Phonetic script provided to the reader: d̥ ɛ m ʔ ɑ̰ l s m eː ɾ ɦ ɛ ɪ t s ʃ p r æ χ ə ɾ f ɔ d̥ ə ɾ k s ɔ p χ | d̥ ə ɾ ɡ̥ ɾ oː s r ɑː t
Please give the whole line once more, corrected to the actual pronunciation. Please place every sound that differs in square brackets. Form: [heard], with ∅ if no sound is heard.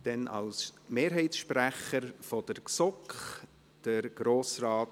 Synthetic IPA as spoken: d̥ ɛ [n] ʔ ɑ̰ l s m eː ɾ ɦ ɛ ɪ t s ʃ p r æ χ ə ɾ f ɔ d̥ ə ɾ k s ɔ [k] χ | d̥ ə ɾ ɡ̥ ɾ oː s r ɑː t